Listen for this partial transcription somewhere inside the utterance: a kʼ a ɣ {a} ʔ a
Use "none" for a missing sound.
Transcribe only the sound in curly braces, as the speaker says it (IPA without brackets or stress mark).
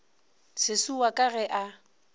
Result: ɛ